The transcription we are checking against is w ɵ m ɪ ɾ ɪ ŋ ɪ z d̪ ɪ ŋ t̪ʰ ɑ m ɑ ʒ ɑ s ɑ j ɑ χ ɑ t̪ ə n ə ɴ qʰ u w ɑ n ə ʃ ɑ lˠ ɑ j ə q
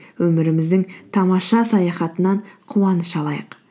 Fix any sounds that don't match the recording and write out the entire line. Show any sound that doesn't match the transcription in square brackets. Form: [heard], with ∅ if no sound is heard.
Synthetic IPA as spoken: w ɵ m ɪ ɾ ɪ [m] ɪ z d̪ ɪ ŋ t̪ʰ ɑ m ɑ [ʃ] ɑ s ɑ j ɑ χ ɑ t̪ ə n [ɑ] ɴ qʰ u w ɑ n ə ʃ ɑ lˠ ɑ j ə q